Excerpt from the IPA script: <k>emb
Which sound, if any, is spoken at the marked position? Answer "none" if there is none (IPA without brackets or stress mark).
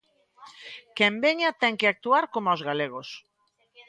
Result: k